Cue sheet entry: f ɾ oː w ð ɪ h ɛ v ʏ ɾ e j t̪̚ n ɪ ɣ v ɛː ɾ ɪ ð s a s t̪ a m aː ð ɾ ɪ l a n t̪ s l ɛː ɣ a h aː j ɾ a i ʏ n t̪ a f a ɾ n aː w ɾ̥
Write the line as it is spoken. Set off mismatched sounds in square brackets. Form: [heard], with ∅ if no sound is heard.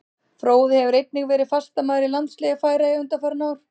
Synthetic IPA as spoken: f ɾ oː w ð ɪ h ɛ v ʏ ɾ e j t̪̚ n ɪ ɣ v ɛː ɾ ɪ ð [f] a s t̪ a m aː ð ɾ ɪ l a n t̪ s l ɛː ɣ a [f] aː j ɾ a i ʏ n t̪ a f a ɾ n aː w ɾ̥